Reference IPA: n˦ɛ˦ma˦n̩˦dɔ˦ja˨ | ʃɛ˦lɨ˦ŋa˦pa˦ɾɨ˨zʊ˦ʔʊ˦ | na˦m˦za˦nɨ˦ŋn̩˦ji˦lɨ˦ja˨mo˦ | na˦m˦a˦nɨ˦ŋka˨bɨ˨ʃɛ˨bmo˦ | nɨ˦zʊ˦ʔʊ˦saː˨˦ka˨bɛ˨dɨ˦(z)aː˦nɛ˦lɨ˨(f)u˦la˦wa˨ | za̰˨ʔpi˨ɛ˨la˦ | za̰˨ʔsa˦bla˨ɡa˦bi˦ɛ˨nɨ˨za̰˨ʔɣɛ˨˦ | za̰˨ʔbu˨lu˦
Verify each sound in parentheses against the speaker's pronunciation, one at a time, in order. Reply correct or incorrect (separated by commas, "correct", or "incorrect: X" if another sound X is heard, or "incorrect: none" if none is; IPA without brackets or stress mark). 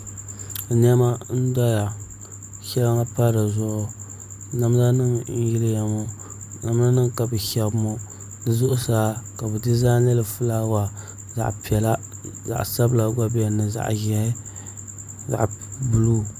correct, correct